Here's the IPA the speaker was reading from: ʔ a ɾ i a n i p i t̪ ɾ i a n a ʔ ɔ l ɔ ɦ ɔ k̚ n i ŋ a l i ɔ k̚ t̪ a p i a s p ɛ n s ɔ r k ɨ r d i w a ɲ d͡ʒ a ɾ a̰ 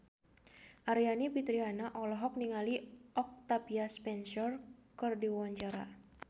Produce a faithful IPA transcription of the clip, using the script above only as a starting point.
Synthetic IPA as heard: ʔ a ɾ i a n i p i t̪ ɾ i a n a ʔ ɔ l ɔ ɦ ɔ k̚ n i ŋ a l i ɔ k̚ t̪ a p i a s p ɛ n s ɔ r k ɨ r d i w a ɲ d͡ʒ a ɾ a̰